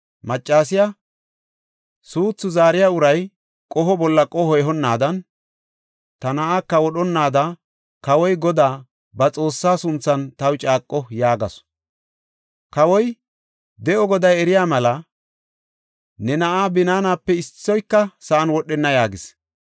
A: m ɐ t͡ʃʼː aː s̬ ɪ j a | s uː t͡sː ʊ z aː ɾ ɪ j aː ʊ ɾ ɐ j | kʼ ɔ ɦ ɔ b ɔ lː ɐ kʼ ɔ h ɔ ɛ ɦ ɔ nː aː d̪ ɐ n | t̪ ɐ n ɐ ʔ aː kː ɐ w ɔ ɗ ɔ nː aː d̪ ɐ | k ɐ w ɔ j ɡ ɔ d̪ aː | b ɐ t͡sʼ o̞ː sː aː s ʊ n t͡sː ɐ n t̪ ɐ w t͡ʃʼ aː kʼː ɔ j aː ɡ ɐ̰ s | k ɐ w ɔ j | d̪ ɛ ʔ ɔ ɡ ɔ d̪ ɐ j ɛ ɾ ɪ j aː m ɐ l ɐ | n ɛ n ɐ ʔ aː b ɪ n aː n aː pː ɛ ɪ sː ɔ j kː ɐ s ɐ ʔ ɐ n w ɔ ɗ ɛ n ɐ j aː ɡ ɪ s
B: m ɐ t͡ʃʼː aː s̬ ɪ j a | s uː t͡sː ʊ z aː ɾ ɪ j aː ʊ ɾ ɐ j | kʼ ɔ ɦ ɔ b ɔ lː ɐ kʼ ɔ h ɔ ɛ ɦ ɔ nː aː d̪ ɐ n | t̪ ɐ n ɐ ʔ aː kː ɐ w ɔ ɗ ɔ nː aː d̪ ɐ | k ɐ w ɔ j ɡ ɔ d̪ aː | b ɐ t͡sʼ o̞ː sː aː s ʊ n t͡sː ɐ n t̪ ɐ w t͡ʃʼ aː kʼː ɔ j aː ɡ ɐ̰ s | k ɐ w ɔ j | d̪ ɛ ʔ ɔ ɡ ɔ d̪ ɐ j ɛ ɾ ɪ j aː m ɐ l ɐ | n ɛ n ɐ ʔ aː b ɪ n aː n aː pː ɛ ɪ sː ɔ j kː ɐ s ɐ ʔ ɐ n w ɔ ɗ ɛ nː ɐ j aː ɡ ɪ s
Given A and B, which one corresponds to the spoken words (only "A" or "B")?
B